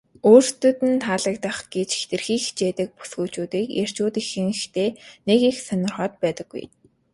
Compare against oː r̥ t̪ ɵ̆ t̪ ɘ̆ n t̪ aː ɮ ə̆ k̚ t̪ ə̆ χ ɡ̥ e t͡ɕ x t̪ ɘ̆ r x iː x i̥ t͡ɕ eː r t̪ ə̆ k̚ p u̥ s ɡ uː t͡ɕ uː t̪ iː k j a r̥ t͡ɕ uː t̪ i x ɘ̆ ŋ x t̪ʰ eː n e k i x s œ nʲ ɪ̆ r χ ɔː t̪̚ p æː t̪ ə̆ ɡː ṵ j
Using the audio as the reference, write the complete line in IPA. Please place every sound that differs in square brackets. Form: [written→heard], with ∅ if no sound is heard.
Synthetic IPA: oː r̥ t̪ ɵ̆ t̪ ɘ̆ n [t̪→t̪ʰ] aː ɮ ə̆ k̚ t̪ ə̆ χ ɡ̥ e t͡ɕ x t̪ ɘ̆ r x iː x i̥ t͡ɕ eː [r→∅] t̪ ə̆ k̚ p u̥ s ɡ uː t͡ɕ uː t̪ iː k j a r̥ t͡ɕ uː t̪ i x ɘ̆ ŋ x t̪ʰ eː n e k i x s œ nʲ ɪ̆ r χ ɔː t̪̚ p æː t̪ ə̆ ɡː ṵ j